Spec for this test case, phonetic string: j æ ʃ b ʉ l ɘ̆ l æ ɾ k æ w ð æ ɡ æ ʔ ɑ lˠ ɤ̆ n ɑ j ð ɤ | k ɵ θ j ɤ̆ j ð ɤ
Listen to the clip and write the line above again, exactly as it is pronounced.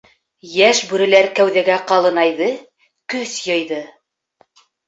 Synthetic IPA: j æ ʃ b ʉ ɾ ɘ̆ l æ ɾ k æ w ð æ ɡ æ q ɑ lˠ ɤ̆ n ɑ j ð ɤ | k ɵ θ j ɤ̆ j ð ɤ